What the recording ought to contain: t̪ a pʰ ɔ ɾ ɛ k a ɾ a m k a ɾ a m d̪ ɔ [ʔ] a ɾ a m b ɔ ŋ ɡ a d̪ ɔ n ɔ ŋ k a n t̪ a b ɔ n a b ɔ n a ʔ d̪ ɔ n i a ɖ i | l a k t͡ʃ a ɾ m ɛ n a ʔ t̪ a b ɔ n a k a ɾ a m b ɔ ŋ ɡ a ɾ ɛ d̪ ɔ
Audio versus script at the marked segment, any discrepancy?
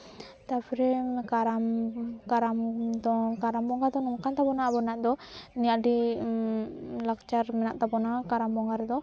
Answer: yes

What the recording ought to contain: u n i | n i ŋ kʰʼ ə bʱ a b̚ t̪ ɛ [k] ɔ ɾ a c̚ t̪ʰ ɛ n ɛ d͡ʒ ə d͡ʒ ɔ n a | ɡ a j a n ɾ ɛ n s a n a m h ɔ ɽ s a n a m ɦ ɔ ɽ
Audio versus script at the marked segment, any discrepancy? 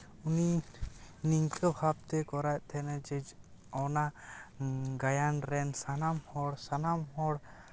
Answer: no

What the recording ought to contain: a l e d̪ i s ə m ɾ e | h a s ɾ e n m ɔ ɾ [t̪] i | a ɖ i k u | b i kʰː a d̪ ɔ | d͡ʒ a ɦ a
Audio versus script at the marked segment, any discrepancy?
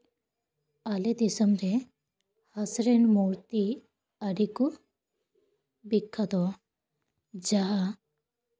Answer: no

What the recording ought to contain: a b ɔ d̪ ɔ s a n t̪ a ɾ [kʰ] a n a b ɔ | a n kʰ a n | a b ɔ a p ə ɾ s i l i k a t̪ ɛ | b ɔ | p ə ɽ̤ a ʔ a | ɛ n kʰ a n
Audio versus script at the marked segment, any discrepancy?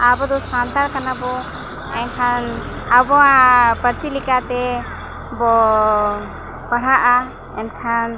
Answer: yes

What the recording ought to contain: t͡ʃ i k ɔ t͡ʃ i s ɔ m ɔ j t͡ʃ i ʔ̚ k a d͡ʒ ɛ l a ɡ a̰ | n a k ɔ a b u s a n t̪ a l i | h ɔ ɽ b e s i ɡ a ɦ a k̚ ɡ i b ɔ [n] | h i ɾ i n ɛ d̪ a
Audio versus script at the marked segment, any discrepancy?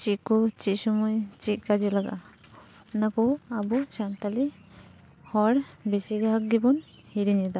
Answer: no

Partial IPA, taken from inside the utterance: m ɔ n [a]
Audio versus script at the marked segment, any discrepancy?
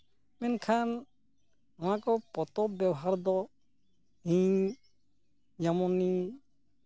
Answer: yes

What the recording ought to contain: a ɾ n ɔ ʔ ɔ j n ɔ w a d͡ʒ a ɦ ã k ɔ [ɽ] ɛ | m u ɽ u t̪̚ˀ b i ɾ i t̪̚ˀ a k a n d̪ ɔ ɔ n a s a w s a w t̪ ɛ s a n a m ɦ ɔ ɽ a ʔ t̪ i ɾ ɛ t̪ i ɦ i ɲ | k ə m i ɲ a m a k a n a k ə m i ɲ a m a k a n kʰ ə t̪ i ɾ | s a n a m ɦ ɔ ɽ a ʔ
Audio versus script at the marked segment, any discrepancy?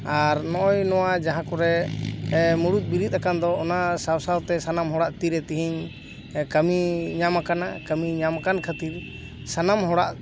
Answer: yes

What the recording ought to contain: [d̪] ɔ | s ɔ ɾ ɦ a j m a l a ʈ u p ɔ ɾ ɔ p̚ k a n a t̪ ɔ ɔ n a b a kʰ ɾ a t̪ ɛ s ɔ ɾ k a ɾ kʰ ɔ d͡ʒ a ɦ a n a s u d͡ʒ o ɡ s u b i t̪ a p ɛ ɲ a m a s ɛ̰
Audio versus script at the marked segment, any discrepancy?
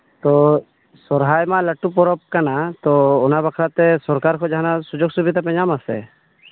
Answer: yes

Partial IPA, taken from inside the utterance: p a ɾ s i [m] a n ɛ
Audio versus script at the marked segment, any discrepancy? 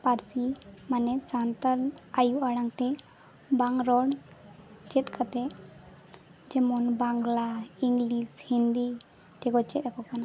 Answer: no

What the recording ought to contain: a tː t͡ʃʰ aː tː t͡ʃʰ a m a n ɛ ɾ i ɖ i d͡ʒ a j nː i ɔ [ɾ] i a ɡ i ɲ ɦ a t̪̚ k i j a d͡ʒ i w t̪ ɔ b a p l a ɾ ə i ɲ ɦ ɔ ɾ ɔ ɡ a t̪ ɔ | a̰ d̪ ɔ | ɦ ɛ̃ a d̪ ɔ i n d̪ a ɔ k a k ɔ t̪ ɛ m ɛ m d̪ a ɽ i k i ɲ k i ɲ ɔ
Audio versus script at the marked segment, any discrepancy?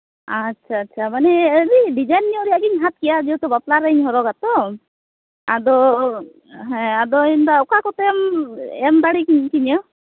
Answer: no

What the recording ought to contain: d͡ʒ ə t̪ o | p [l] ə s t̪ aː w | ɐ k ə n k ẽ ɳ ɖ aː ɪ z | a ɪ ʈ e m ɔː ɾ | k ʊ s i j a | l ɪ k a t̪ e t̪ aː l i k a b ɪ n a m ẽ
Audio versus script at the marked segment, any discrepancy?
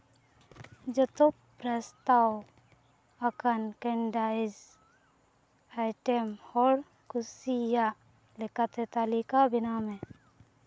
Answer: yes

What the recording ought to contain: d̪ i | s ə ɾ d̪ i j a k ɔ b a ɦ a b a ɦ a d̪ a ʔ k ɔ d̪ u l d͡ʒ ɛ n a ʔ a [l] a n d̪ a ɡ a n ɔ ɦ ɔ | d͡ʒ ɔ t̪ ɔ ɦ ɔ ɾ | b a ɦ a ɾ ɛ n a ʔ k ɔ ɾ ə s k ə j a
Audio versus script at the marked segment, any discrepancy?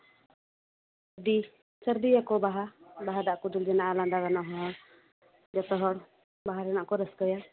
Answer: no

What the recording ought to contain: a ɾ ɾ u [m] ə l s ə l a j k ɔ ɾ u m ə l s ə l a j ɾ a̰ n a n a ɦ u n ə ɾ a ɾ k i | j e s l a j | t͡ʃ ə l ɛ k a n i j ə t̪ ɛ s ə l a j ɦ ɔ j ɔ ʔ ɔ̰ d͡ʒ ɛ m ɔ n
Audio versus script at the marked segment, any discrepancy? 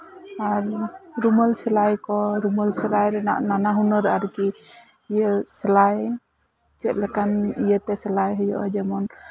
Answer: no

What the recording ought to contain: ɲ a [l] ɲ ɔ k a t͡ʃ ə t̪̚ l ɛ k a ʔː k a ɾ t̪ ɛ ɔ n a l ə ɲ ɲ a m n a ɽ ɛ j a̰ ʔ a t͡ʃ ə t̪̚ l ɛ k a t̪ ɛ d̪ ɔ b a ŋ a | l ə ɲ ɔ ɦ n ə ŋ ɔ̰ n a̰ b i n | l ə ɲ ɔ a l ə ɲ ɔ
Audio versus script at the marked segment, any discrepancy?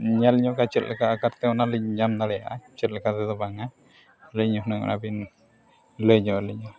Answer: no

